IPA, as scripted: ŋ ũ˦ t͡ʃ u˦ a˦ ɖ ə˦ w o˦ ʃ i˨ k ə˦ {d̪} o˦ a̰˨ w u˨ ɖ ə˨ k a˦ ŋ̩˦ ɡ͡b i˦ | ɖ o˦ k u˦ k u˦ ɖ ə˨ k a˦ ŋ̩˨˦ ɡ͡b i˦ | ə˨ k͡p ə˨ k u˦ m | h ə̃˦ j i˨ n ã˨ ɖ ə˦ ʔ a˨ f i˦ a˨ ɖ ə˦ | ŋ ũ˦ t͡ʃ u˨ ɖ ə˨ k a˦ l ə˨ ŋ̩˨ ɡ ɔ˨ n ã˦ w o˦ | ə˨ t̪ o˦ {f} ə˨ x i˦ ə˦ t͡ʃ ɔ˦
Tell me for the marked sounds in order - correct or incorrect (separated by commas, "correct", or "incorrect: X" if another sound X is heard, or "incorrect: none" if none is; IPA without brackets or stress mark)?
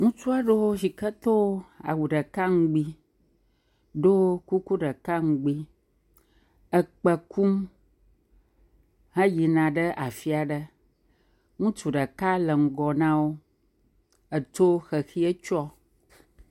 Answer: incorrect: t̪, incorrect: x